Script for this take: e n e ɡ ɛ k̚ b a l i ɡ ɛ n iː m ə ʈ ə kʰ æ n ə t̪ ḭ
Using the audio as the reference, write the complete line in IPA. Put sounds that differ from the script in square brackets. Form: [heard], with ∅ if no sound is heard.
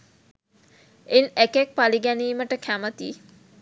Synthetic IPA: e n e [k] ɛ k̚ [p] a l i ɡ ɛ n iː m ə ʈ ə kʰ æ [m] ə t̪ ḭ